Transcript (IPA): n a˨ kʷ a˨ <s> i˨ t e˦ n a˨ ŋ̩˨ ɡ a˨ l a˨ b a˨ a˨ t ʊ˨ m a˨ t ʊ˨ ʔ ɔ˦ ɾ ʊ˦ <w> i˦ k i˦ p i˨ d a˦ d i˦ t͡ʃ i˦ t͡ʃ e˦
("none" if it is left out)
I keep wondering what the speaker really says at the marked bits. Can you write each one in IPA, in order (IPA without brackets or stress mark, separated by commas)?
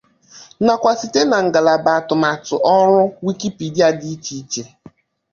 s, w